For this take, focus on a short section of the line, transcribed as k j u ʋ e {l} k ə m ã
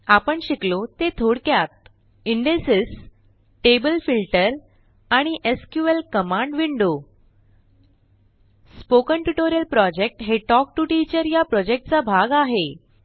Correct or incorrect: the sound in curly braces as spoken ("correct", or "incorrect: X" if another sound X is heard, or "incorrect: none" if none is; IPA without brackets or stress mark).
correct